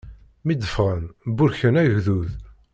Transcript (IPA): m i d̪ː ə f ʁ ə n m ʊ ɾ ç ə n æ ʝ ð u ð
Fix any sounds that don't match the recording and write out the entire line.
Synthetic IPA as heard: m i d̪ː ə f ʁ ə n b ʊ ɾ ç ə n æ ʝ ð u ð